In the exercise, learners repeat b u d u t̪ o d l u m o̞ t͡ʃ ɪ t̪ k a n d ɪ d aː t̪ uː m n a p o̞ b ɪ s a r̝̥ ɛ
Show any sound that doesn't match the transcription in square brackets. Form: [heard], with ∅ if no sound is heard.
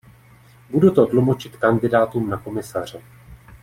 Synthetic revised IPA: b u d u t̪ o d l u m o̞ t͡ʃ ɪ t̪ k a n d ɪ d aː t̪ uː m n a [k] o̞ [m] ɪ s a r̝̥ ɛ